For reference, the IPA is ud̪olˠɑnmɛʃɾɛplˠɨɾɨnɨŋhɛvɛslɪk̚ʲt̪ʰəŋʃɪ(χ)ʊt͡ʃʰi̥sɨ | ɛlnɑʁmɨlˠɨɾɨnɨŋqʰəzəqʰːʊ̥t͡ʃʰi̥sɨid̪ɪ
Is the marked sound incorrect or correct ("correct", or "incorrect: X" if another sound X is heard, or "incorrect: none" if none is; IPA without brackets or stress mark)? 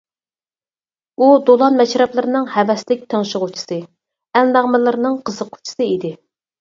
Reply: incorrect: ʁ